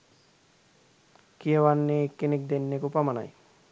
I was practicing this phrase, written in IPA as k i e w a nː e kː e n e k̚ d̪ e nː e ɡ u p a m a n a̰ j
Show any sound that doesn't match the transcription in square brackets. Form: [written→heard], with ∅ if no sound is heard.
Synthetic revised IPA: k i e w a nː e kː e n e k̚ d̪ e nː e [ɡ→k] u p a m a n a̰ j